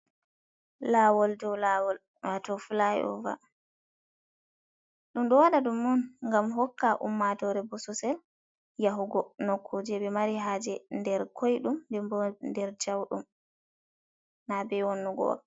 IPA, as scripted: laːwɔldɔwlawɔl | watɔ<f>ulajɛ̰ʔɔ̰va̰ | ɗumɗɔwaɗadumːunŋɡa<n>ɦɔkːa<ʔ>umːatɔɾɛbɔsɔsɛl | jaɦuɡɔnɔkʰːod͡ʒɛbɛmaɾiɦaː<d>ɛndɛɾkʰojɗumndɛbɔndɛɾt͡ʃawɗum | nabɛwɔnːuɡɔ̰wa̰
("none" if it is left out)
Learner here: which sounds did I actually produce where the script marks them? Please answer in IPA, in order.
f, m, ʔ, d͡ʒ

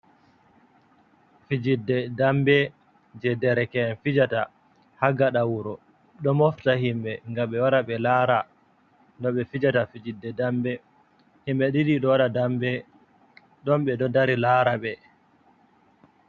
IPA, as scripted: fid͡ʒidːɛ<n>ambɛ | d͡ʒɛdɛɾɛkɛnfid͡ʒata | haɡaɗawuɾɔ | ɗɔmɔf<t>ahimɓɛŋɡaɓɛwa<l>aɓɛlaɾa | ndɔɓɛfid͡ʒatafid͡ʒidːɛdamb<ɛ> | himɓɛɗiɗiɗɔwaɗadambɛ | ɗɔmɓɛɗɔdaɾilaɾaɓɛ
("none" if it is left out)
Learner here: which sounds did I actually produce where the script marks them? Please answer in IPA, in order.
d, t, ɾ, ɛ

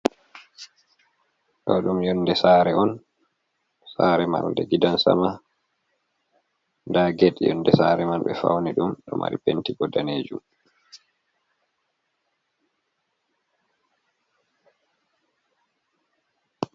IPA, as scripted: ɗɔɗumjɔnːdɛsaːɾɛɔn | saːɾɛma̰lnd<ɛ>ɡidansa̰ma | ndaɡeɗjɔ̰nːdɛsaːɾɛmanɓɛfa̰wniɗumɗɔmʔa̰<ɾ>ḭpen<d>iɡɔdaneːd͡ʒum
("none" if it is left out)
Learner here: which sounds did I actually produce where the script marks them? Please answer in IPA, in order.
ɛ, ɾ, t

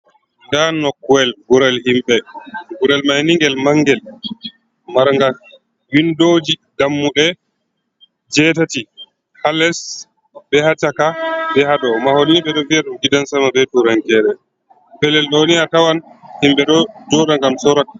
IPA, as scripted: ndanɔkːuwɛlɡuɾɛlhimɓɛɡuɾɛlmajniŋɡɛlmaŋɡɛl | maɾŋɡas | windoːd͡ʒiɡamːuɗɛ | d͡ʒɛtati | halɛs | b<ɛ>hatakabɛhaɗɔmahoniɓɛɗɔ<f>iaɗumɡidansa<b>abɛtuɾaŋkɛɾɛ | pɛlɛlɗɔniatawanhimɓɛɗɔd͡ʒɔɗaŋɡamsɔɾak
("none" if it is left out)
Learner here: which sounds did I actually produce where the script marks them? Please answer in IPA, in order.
ɛ, v, m

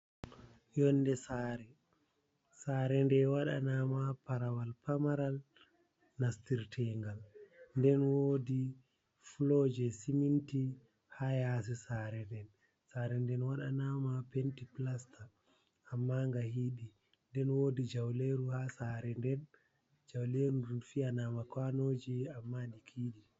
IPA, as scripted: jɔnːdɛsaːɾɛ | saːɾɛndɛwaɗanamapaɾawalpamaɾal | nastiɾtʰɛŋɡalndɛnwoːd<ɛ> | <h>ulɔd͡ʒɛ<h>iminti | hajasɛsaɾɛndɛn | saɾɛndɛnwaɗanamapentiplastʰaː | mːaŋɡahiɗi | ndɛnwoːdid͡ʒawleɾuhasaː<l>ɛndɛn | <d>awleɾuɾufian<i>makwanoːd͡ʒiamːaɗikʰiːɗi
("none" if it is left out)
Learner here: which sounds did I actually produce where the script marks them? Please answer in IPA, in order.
i, f, s, ɾ, d͡ʒ, a

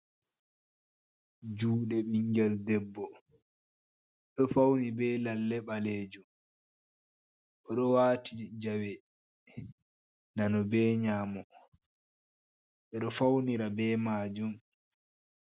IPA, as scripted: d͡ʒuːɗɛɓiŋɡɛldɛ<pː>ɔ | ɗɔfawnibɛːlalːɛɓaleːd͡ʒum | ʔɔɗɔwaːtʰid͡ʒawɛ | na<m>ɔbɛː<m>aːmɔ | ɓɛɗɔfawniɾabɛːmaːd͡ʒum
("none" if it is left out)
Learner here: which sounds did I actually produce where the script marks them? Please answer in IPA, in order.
bː, n, ɲ

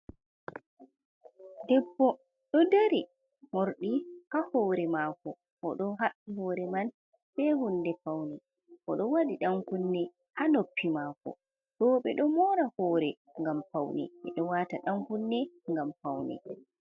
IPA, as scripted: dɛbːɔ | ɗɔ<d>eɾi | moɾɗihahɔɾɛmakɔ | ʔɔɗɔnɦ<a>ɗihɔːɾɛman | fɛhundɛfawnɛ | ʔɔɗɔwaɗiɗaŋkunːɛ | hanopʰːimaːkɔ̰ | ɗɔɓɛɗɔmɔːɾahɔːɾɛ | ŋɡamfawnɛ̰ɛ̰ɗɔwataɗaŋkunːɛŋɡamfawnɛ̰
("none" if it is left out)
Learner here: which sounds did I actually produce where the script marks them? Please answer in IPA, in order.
d, a

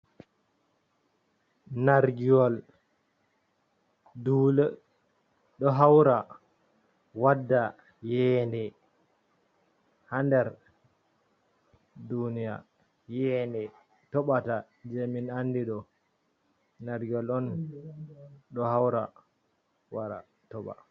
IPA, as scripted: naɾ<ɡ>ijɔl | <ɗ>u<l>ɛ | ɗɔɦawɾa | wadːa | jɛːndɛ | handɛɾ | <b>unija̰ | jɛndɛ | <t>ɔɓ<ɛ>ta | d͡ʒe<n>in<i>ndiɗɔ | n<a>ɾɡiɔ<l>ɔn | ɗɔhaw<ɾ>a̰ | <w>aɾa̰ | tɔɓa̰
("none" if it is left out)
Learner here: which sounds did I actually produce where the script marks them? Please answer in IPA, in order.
ɡ, d, l, d, t, a, m, a, a, l, ɾ, w

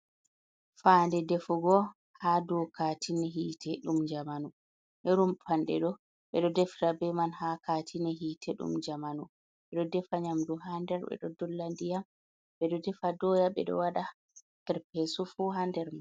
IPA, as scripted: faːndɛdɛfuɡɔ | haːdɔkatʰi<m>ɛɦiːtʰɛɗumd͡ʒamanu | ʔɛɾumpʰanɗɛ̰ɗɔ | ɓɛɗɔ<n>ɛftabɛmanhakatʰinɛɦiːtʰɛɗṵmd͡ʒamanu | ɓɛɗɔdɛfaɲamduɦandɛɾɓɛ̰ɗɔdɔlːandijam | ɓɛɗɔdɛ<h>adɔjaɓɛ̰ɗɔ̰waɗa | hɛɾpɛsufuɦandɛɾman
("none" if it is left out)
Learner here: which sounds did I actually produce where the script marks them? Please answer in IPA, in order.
n, d, f

